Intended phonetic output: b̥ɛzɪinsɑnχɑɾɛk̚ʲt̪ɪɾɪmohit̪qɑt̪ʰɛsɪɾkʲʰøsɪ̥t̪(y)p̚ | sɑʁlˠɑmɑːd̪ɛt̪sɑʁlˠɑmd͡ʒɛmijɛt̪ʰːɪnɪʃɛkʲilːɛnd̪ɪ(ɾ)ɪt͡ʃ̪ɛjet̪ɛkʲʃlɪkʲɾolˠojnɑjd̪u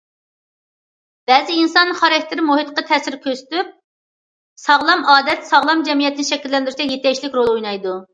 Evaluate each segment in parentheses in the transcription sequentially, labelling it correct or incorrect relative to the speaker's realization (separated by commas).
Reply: correct, correct